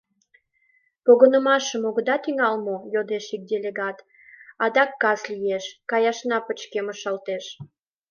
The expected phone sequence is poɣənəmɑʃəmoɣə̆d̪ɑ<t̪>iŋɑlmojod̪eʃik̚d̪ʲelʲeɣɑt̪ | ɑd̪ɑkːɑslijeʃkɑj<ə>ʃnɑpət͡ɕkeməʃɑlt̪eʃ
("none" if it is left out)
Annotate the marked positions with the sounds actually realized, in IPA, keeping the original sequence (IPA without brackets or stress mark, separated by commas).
t̪, ɑ